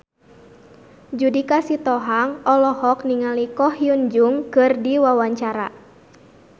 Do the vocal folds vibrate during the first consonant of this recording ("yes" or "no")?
yes